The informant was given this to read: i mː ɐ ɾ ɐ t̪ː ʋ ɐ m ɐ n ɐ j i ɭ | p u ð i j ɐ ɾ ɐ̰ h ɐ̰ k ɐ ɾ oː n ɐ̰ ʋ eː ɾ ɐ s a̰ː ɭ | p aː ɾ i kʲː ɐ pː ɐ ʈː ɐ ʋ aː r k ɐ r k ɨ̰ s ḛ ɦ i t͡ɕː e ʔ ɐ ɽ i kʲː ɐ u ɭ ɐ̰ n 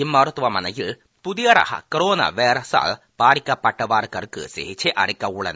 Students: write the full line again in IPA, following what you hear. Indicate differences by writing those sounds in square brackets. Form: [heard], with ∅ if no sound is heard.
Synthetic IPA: i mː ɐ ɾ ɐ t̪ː ʋ ɐ m ɐ n ɐ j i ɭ | p u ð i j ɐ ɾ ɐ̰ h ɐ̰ k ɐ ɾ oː n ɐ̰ ʋ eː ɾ ɐ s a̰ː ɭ | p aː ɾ i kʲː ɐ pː ɐ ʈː ɐ ʋ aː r k ɐ r k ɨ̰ s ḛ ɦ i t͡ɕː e ʔ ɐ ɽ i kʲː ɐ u ɭ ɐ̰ n